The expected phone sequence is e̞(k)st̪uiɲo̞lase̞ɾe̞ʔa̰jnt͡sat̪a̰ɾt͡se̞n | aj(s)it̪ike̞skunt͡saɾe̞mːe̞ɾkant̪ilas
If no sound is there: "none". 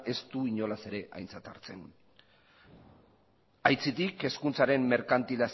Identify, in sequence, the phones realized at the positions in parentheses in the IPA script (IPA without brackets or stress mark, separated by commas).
none, t͡s